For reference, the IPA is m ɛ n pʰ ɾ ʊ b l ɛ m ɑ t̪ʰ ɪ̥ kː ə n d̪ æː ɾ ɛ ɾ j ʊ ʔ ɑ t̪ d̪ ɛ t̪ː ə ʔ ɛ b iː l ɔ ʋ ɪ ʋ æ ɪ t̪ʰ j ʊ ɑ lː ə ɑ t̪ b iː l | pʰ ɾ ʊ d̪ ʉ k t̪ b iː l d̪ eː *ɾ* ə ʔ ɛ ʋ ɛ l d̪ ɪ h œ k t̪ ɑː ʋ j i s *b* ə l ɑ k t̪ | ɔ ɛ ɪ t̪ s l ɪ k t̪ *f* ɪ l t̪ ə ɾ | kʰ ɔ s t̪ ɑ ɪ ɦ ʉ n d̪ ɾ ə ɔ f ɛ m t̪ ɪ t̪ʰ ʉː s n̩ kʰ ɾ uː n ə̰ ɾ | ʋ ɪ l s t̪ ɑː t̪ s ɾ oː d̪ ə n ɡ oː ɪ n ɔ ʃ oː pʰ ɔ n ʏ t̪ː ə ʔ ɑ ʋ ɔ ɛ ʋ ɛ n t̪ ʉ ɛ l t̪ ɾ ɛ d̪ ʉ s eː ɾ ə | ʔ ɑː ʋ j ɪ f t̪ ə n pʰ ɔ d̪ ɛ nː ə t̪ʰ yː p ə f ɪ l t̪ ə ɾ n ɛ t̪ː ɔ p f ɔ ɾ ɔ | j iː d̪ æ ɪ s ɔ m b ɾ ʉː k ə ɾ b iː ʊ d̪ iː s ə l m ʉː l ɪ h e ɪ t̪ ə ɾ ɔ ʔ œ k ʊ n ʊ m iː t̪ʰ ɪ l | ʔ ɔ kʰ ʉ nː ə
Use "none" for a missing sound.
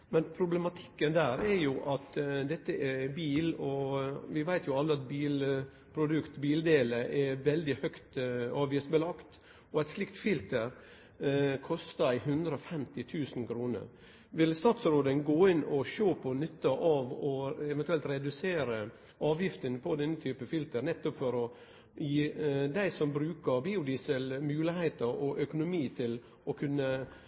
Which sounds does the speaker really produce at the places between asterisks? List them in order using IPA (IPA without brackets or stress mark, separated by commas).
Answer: l, b, f